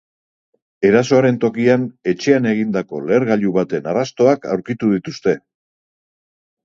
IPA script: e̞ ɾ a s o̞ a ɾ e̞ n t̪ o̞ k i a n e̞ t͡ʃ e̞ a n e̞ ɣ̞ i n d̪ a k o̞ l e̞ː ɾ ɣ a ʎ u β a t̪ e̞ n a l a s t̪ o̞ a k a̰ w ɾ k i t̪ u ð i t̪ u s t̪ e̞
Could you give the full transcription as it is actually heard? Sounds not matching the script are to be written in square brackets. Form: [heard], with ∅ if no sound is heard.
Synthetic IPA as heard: e̞ ɾ a s o̞ a ɾ e̞ n t̪ o̞ k i a n e̞ t͡ʃ e̞ a n e̞ ɣ̞ i n d̪ a k o̞ l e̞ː ɾ ɣ a ʎ u β a t̪ e̞ n a [r] a s t̪ o̞ a k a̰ w ɾ k i t̪ u ð i t̪ u s t̪ e̞